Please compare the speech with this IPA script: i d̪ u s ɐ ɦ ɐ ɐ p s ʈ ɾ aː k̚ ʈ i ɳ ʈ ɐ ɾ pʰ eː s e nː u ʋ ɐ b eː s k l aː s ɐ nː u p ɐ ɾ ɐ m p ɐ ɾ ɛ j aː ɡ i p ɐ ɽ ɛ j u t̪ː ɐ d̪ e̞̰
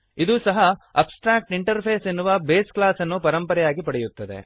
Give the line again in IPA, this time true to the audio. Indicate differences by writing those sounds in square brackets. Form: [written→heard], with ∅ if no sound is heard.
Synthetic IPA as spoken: i d̪ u s ɐ ɦ ɐ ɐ p s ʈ ɾ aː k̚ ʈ i ɳ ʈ ɐ ɾ pʰ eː s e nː u ʋ ɐ b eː s k l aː s ɐ nː u p ɐ ɾ ɐ m p ɐ ɾ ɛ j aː ɡ i p ɐ ɽ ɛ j u t̪ː ɐ d̪ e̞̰